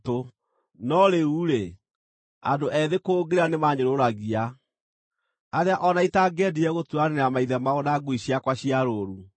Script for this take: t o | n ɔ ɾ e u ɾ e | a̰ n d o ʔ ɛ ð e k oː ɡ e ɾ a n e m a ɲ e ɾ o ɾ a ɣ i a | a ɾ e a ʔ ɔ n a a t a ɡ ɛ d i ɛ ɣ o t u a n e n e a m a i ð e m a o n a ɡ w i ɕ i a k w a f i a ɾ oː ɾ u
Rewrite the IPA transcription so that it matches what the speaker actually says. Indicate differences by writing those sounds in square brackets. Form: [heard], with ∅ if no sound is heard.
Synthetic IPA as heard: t o | n ɔ ɾ e u ɾ e | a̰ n d o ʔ ɛ ð e k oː ɡ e ɾ a n e m a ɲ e ɾ o ɾ a ɣ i a | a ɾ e a ʔ ɔ n a [i] t a ɡ ɛ d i ɛ ɣ o t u a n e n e a m a i ð [ɛ] m a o n a ɡ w i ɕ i a k w a [ɕ] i a ɾ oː ɾ u

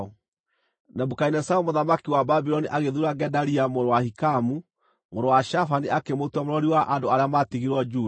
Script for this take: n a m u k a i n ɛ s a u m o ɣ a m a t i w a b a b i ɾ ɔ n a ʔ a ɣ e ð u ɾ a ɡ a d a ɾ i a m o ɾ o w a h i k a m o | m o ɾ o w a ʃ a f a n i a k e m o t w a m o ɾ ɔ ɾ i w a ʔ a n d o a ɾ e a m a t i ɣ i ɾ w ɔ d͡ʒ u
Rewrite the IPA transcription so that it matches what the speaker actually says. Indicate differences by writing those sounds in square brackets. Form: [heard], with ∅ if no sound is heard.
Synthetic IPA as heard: n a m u k a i n ɛ s a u m o [ð] a m a [k] i w a b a b i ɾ ɔ n [i] ʔ a ɣ e ð u ɾ a ɡ [ɛ] d a ɾ i a m o ɾ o w a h i k a m [u] | m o ɾ o w a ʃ a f a n i a k e m o t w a m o ɾ ɔ ɾ i w a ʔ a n d o a ɾ e a m a t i ɣ i ɾ w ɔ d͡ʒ u

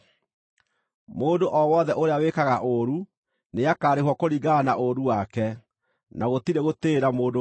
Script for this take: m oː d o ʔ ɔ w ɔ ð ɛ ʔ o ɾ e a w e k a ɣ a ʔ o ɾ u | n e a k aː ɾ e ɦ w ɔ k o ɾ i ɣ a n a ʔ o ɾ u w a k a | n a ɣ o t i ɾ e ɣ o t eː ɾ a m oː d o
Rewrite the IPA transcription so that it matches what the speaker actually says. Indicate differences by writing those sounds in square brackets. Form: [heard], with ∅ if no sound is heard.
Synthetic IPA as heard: m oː d o ʔ ɔ w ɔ ð ɛ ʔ o ɾ e a w e k a ɣ a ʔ o ɾ u | n e a k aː ɾ e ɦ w ɔ k o ɾ i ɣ a n a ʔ o ɾ u w a k [ɛ] | n a ɣ o t i ɾ e ɣ o t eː ɾ a m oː d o

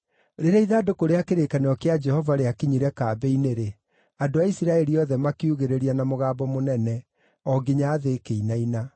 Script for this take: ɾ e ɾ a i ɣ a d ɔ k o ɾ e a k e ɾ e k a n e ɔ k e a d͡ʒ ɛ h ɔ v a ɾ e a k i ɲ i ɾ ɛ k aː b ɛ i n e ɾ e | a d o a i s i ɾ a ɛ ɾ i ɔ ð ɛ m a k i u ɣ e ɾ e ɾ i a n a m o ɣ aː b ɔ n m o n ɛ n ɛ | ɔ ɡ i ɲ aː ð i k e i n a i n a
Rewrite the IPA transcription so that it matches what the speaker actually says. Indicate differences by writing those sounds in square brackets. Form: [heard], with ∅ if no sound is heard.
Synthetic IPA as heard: ɾ e ɾ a i [ð] a d [o] k o ɾ e a k e ɾ e k a n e ɔ k e a d͡ʒ ɛ h ɔ v a ɾ e a k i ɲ i ɾ ɛ k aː b ɛ i n e ɾ e | a d o a i s i ɾ a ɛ ɾ i ɔ ð ɛ m a k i u ɣ e ɾ e ɾ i a n a m o ɣ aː b ɔ [∅] m o n ɛ n ɛ | ɔ ɡ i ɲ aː ð [e] k e i n a i n a

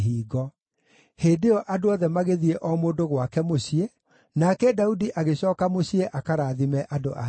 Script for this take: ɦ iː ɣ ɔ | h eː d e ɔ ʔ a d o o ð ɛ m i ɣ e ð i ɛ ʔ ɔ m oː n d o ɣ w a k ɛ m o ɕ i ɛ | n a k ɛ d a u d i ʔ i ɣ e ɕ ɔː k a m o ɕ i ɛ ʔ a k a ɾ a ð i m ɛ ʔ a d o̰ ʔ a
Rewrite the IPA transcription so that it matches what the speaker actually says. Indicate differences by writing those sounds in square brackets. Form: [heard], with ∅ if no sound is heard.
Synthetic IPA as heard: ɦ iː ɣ ɔ | h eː d e ɔ ʔ a d o [ɔ] ð ɛ m [a] ɣ e ð i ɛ ʔ ɔ m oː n d o ɣ w a k ɛ m o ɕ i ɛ | n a k ɛ d a u d i ʔ [a] ɣ e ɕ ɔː k a m o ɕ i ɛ ʔ a k a ɾ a ð i m ɛ ʔ a d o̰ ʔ a

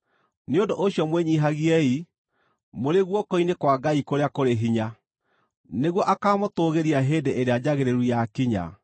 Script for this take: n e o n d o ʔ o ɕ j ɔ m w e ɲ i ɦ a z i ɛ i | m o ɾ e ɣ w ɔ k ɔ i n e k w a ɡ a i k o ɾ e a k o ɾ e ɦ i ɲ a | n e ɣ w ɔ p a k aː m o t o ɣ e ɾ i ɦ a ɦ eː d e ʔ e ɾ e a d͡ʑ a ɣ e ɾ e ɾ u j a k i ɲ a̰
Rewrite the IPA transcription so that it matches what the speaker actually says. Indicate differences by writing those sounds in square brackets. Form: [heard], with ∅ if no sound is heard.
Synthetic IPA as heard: n e o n d o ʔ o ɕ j ɔ m w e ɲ i ɦ a [ɣ] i ɛ i | m o ɾ e ɣ w ɔ k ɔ i n e k w a ɡ a i k o ɾ e a k o ɾ e ɦ i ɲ a | n e ɣ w ɔ [ʔ] a k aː m o t o ɣ e ɾ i [∅] a ɦ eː d e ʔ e ɾ e a d͡ʑ a ɣ e ɾ e ɾ u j a k i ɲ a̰

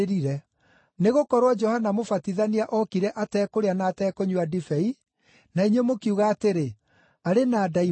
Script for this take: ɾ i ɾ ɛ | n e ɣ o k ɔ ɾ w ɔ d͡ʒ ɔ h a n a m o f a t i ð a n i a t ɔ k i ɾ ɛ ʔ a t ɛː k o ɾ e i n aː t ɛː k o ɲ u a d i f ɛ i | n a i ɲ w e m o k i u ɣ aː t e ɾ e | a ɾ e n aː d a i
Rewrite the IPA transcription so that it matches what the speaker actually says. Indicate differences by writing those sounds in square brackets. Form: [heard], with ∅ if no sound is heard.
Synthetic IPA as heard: ɾ i ɾ ɛ | n e ɣ o k ɔ ɾ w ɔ d͡ʒ ɔ h a n a m o f a t i ð a n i a [ʔ] ɔ k i ɾ ɛ ʔ a t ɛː k o ɾ e [a] n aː t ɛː k o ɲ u a d i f ɛ i | n a i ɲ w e m o k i u ɣ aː t e ɾ e | a ɾ e n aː d a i

